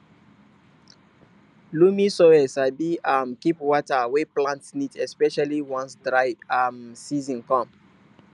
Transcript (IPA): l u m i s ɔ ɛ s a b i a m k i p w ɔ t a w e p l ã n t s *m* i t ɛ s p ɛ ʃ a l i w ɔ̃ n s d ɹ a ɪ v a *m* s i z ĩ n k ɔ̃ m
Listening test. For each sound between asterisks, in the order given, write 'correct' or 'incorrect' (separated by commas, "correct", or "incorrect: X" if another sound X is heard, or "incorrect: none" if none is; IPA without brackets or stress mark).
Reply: incorrect: n, correct